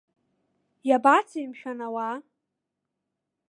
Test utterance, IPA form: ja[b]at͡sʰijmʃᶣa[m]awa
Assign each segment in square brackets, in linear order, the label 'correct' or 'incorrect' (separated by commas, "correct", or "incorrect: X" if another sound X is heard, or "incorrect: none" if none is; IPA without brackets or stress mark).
correct, incorrect: n